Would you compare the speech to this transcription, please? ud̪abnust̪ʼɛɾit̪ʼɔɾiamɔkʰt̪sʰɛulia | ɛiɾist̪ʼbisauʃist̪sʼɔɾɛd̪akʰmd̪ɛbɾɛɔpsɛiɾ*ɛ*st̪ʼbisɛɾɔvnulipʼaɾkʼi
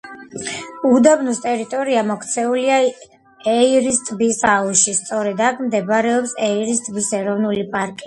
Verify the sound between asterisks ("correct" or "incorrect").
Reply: incorrect